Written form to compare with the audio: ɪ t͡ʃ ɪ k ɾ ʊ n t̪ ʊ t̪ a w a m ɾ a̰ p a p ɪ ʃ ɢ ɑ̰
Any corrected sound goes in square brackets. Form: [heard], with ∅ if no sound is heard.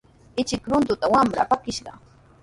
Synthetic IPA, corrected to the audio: ɪ t͡ʃ ɪ k ɾ ʊ n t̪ ʊ t̪ a w a m ɾ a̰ p a [k] ɪ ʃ ɢ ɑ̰